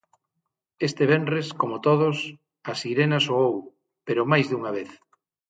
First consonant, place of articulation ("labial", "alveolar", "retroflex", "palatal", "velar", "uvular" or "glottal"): alveolar